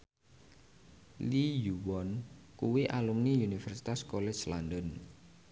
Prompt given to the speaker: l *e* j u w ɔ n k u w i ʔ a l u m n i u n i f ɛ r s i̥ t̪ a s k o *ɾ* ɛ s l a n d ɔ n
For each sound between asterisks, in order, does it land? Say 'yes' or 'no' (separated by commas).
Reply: no, no